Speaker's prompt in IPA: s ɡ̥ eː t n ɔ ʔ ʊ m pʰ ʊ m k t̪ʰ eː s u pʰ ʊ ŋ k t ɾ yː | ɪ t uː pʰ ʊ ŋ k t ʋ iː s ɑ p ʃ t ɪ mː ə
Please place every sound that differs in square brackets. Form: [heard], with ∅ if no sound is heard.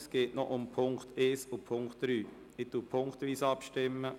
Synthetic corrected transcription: s ɡ̥ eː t n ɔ ʔ ʊ m pʰ ʊ [ŋ] k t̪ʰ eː s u pʰ ʊ ŋ k t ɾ yː | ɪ t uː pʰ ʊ ŋ k t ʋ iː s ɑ p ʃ t ɪ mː ə